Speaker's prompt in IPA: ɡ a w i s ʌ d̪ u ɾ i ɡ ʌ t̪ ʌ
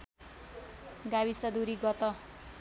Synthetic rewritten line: ɡ a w i s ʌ d̪ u ɾ i ɡ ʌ t̪ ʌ